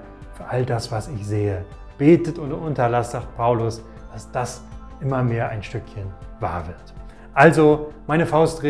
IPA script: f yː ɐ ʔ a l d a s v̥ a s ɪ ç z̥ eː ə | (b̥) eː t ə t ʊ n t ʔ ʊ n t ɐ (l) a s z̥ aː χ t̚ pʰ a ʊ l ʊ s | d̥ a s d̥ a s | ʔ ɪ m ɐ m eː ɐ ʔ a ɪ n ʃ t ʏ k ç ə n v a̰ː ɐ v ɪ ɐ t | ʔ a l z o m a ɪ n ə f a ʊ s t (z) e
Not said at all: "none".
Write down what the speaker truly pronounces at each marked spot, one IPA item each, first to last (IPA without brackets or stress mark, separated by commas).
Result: b̥, l, ʁ